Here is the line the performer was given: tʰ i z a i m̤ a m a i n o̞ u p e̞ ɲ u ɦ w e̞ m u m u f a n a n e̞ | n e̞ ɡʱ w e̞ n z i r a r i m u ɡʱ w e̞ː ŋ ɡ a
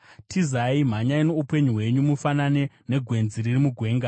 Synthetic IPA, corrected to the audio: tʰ i z a i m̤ a ɲ a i n o̞ u p e̞ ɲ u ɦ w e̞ ɲ u m u f a n a n e̞ | n e̞ ɡʱ w e̞ n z i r i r i m u ɡʱ w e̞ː ŋ ɡ a